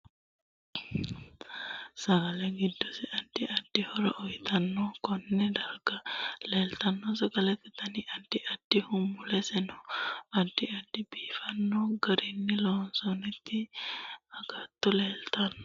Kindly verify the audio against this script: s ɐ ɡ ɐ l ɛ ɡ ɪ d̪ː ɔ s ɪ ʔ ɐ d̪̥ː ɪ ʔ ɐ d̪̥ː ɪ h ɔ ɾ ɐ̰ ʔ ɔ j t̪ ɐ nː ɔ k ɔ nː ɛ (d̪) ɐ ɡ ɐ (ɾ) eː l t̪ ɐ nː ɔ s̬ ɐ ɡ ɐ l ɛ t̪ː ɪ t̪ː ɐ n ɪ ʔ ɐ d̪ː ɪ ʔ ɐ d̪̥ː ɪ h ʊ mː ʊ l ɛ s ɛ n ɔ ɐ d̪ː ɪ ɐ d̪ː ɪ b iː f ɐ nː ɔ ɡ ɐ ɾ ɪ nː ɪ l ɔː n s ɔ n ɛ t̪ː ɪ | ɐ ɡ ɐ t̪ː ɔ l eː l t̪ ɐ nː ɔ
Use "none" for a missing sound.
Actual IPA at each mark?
d̪, l

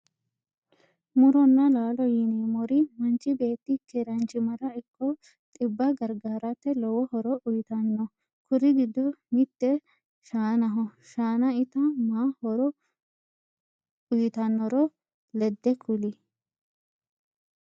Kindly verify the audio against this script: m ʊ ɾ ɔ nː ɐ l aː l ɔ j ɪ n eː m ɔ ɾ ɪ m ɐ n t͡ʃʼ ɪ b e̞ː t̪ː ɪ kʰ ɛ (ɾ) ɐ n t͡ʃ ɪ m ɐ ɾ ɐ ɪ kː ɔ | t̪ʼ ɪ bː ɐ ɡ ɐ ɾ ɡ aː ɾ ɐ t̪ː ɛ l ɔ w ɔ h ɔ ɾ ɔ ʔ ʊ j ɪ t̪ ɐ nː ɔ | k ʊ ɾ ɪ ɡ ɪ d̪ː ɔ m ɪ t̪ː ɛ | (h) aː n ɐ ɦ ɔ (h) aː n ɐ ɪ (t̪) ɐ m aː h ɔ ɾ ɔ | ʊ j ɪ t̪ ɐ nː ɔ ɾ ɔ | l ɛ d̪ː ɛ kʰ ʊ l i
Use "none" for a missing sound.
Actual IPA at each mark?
ɾ, ʃ, ʃ, t̪

